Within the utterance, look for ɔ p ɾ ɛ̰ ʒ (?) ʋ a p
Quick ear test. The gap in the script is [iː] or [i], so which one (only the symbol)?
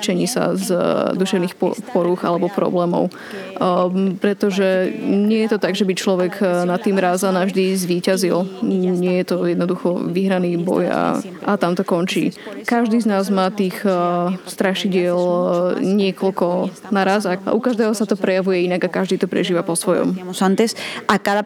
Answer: iː